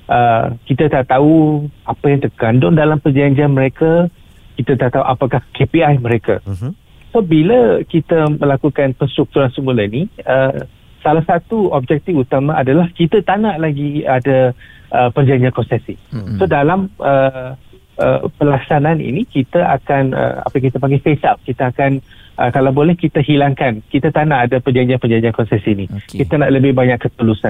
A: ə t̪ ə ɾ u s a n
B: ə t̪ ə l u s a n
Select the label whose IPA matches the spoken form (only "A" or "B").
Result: B